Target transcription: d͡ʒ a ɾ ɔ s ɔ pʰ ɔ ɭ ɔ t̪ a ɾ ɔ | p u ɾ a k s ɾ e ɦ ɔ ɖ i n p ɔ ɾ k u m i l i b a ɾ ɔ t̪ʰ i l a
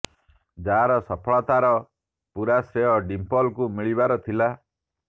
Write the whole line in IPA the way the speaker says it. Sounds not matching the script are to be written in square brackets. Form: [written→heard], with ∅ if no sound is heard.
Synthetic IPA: d͡ʒ a ɾ ɔ s ɔ pʰ ɔ ɭ ɔ t̪ a ɾ ɔ | p u ɾ a [k→∅] s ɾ e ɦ ɔ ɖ i [n→m] p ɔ [ɾ→l] k u m i [l→ɭ] i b a ɾ ɔ t̪ʰ i l a